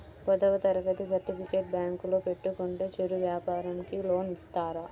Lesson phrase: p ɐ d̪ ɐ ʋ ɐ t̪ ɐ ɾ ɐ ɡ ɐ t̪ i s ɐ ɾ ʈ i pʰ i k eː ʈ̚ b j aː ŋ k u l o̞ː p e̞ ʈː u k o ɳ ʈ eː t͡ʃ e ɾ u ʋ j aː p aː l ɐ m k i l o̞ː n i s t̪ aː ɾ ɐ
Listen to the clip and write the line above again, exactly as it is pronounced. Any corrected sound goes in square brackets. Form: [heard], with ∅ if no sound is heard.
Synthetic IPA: p ɐ d̪ ɐ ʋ ɐ t̪ ɐ ɾ ɐ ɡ ɐ t̪ i s ɐ ɾ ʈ i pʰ i k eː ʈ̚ b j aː ŋ k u l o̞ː p e̞ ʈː u k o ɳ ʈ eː t͡ʃ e ɾ u ʋ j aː p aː [ɾ] ɐ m k i l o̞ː n i s t̪ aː ɾ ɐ